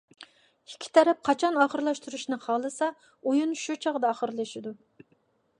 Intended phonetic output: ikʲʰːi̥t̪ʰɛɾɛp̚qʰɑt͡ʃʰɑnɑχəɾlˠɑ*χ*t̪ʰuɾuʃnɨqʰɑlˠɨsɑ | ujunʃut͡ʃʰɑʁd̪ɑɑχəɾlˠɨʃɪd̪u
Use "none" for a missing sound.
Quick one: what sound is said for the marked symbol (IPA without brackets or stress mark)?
ʃ